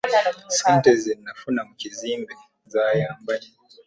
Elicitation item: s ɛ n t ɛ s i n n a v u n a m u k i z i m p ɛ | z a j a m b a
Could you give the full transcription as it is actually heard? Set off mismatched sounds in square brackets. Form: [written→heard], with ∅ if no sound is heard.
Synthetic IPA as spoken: s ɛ n t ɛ [s→z] i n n a [v→f] u n a m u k i z i m [p→b] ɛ | z a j a m b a